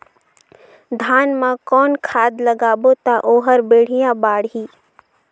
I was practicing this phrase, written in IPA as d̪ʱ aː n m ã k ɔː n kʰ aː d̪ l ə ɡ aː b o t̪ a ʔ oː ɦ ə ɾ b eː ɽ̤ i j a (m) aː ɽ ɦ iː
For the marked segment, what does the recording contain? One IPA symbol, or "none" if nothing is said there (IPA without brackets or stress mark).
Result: b